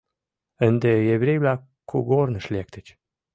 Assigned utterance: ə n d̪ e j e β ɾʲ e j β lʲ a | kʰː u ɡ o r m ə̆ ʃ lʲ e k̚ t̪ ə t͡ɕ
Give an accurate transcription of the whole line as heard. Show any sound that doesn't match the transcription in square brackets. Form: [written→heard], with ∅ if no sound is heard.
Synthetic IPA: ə n d̪ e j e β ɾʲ e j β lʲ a | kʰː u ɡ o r [m→n] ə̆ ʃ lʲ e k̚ t̪ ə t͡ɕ